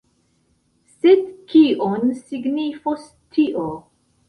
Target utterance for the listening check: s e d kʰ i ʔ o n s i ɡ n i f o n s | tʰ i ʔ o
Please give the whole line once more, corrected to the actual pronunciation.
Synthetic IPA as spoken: s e d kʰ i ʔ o n s i ɡ n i f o s | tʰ i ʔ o